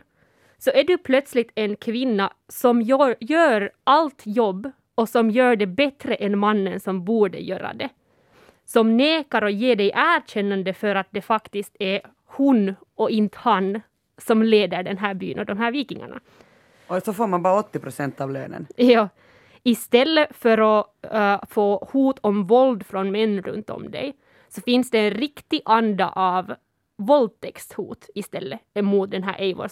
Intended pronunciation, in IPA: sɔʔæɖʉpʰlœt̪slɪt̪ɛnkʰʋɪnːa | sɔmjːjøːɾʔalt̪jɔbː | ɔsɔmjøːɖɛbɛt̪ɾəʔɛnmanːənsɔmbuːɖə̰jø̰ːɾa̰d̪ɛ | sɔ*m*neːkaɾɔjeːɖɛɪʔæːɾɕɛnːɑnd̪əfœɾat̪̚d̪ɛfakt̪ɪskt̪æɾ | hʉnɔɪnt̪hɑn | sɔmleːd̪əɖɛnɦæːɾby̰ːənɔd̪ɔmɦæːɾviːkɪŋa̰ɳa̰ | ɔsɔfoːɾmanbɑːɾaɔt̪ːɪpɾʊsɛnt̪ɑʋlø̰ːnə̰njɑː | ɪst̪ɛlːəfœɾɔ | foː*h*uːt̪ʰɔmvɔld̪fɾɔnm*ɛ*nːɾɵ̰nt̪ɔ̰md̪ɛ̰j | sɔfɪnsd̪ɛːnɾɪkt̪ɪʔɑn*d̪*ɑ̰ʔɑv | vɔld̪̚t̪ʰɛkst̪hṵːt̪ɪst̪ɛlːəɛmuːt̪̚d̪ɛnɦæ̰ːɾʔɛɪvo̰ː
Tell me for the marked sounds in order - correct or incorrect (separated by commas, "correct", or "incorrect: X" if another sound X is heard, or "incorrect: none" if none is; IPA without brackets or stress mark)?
correct, correct, correct, correct